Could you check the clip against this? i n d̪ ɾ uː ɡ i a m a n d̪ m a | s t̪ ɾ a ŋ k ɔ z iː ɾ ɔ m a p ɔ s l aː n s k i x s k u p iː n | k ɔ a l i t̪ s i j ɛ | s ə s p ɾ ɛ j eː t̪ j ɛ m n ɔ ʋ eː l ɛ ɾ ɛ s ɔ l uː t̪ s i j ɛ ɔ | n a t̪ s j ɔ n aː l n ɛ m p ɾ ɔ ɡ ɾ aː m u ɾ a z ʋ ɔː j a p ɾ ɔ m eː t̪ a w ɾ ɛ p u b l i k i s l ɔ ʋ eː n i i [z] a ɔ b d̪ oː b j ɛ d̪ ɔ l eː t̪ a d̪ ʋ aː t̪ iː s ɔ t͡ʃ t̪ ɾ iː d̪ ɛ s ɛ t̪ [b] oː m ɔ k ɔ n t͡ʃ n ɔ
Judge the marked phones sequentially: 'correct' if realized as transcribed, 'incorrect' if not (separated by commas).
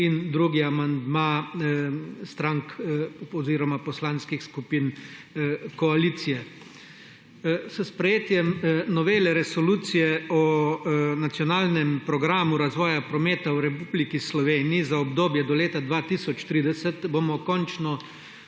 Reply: correct, correct